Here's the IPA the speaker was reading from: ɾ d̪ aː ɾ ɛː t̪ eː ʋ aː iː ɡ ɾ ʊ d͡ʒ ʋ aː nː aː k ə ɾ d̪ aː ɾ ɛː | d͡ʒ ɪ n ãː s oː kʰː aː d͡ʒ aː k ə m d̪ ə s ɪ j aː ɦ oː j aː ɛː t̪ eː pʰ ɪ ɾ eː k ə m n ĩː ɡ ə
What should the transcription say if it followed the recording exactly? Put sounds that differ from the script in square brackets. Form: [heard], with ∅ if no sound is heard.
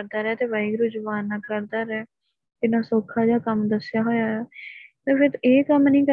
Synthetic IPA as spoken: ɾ d̪ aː ɾ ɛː t̪ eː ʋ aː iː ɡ ɾ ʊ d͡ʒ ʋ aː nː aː k ə ɾ d̪ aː ɾ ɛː | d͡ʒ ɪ n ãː s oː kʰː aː d͡ʒ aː k ə m d̪ ə s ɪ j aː ɦ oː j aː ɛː t̪ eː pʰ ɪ ɾ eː k ə m n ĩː [k] ə